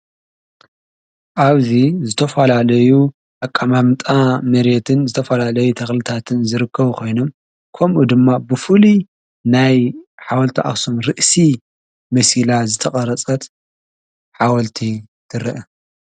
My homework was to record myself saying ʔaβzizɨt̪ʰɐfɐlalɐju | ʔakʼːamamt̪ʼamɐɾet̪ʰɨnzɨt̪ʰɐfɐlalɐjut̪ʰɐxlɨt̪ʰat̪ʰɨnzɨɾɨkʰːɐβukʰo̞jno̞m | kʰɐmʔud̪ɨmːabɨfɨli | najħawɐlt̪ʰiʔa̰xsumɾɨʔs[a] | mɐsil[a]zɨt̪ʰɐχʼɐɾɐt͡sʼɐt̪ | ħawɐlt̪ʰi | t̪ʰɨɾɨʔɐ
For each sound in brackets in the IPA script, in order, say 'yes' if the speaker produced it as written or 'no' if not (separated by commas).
no, yes